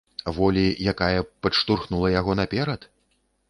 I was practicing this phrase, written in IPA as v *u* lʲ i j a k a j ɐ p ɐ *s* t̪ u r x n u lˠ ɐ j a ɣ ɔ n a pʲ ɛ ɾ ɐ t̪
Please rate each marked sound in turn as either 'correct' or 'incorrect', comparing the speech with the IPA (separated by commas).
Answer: incorrect, incorrect